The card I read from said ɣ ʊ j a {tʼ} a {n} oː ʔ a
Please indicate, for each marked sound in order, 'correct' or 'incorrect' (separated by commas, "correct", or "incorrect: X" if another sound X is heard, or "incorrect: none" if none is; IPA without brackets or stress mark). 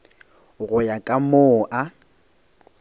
incorrect: kʼ, incorrect: m